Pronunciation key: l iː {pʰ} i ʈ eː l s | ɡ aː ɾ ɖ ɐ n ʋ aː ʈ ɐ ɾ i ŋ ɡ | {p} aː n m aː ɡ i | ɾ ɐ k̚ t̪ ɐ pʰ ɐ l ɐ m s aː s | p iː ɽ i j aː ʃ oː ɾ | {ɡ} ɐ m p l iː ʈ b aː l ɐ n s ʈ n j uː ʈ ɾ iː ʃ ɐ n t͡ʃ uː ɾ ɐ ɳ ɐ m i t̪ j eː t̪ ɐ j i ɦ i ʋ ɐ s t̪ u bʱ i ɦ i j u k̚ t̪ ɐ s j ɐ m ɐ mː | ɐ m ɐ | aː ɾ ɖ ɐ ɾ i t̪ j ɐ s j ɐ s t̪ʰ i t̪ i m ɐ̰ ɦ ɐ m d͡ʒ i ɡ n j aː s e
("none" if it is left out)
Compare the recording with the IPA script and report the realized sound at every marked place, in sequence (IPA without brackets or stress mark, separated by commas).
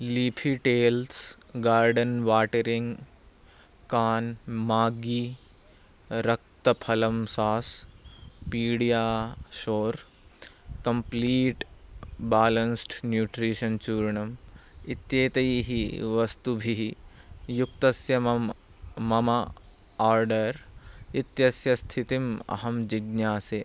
pʰ, k, k